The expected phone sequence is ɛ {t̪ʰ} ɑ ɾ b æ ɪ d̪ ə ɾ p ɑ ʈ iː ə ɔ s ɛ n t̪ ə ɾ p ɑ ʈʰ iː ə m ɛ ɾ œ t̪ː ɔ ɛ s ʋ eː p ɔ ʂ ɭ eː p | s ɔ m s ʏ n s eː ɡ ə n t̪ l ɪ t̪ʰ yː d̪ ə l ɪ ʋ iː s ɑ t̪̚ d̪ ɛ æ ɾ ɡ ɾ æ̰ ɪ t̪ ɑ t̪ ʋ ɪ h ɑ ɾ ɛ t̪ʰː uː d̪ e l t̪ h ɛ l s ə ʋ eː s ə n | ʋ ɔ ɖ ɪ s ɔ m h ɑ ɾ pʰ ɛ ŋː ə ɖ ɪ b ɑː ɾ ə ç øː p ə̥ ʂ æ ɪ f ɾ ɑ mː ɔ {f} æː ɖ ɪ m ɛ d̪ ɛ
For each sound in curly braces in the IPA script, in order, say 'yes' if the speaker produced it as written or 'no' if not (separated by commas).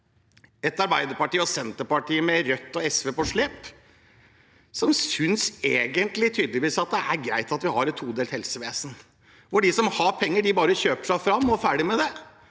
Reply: no, yes